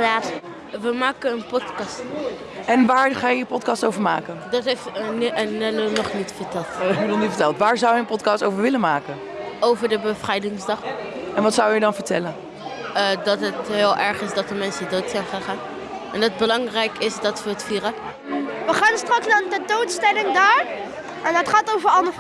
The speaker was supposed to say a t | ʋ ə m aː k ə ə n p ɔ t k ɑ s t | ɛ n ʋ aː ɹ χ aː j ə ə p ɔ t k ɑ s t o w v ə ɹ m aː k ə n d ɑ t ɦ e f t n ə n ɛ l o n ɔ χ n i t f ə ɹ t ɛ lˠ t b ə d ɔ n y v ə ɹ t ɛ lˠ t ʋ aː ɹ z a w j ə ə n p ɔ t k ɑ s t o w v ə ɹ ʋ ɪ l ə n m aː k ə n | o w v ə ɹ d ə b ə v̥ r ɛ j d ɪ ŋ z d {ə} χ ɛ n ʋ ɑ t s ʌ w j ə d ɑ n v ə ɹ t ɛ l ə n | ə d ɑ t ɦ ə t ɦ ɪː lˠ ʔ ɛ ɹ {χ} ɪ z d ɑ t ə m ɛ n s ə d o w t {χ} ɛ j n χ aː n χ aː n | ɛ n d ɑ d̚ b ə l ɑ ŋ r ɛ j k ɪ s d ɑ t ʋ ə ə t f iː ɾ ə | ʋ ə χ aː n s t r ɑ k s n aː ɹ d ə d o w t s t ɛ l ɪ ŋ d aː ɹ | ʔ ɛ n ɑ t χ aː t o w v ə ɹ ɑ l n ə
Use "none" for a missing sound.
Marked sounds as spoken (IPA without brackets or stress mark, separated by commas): ɑ, χ, s